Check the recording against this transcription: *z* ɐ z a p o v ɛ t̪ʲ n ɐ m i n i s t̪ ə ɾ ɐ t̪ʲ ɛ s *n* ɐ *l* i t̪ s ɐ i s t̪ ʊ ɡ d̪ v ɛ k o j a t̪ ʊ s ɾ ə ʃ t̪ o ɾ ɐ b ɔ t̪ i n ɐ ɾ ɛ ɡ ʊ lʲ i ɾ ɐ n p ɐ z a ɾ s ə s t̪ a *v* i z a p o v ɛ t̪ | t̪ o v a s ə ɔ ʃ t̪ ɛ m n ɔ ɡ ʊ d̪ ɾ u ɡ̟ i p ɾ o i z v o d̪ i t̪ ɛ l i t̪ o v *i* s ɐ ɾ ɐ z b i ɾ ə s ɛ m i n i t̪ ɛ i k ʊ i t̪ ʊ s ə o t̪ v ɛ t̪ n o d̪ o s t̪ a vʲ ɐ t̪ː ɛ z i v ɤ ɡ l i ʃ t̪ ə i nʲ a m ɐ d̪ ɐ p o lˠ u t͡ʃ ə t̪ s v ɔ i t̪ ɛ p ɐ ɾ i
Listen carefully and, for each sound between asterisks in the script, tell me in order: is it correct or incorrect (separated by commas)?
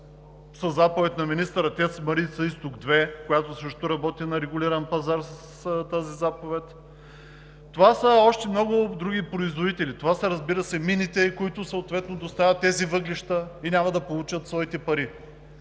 incorrect, incorrect, incorrect, incorrect, incorrect